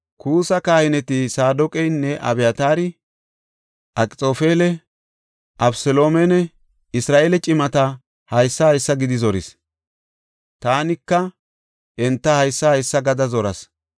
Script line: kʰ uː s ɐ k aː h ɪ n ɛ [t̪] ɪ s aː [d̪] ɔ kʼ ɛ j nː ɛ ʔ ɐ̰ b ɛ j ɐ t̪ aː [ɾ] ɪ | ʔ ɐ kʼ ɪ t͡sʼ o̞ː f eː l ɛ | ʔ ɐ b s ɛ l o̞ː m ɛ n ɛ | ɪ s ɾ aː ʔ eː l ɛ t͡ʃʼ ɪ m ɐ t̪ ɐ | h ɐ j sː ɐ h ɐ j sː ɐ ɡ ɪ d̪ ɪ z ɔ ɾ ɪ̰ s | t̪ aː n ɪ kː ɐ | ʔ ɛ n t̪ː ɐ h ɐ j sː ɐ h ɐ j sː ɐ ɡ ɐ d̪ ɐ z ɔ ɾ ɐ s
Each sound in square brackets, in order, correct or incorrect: correct, correct, correct

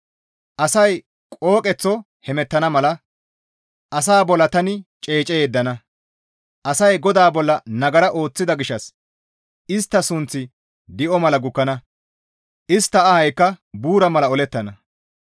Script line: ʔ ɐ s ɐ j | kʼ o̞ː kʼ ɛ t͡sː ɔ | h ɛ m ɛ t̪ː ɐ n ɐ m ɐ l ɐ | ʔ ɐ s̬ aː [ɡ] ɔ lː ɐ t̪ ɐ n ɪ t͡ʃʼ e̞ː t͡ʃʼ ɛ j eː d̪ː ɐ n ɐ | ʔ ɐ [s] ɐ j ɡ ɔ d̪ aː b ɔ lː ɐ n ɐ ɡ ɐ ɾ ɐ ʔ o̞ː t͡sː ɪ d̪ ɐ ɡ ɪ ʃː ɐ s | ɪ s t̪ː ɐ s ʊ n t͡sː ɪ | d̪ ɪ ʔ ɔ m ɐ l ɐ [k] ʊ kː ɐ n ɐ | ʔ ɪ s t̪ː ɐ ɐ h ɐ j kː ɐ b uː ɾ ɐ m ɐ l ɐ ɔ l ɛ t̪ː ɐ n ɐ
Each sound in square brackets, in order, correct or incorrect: incorrect, correct, incorrect

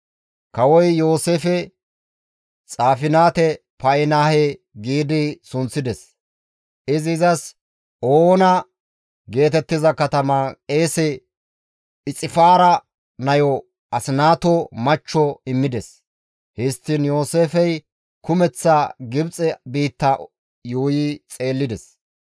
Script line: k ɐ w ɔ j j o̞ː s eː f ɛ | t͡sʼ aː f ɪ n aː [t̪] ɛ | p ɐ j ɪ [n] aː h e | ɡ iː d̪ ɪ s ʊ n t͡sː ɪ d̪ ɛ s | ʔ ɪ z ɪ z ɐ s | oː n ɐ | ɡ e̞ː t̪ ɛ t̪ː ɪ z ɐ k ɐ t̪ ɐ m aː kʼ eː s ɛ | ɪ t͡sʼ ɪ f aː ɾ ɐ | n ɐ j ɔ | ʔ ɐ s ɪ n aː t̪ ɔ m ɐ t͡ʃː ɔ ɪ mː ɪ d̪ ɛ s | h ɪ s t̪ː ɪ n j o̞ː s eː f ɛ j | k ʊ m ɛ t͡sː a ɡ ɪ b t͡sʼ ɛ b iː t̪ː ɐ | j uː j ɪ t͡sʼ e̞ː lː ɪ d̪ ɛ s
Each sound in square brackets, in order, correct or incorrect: correct, correct

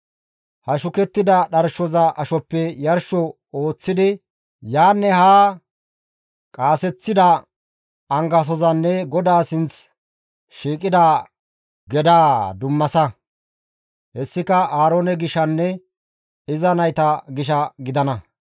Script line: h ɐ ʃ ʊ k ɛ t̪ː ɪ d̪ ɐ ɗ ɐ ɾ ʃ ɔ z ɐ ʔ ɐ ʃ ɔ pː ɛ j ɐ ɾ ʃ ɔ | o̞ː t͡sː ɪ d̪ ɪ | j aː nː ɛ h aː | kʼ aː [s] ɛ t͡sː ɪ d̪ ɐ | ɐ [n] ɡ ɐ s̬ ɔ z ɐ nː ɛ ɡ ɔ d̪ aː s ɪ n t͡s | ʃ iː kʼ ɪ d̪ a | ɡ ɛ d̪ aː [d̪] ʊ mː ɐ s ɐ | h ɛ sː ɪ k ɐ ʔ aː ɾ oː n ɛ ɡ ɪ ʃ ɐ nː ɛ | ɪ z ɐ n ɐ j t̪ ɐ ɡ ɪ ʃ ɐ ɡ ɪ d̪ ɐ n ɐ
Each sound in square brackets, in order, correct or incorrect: correct, incorrect, correct

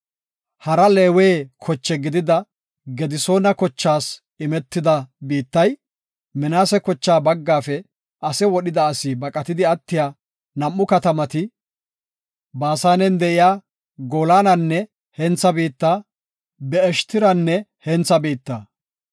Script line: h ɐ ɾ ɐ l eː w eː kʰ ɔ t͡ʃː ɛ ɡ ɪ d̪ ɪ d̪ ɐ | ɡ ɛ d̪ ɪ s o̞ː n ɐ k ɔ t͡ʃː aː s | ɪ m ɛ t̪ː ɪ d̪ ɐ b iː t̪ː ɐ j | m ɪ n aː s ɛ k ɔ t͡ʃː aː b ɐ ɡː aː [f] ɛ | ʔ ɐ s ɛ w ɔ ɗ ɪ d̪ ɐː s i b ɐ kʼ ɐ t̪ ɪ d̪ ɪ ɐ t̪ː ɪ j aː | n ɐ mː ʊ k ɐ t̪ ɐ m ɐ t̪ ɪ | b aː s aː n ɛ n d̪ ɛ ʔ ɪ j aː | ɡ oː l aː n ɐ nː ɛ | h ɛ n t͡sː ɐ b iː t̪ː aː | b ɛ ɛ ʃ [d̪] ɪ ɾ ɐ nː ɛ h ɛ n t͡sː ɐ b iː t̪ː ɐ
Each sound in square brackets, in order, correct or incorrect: correct, incorrect

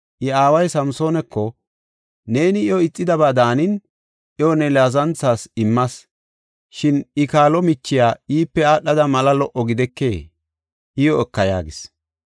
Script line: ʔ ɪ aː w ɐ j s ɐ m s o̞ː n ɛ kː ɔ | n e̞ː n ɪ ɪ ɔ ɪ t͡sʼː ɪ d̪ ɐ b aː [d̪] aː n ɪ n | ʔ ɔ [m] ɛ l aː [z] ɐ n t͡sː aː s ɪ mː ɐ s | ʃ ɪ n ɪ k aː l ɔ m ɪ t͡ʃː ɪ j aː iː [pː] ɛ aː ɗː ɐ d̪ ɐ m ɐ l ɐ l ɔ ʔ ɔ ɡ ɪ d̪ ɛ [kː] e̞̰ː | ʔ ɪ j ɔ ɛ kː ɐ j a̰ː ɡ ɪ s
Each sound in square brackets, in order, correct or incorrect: correct, incorrect, correct, correct, correct

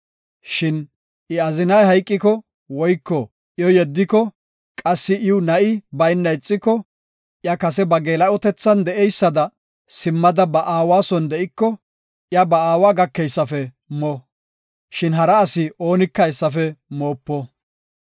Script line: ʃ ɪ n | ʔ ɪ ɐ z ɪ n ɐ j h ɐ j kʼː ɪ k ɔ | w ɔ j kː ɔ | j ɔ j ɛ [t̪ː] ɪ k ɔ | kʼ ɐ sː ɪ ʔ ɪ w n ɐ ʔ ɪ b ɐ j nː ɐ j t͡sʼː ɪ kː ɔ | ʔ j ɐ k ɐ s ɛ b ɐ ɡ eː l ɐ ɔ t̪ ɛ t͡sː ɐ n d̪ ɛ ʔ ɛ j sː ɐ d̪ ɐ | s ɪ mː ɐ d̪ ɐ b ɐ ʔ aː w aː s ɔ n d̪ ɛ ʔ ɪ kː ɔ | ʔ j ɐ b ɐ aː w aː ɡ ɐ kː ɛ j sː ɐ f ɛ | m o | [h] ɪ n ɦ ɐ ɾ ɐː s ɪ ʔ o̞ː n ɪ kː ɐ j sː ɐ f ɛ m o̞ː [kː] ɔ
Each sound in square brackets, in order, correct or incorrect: incorrect, incorrect, incorrect

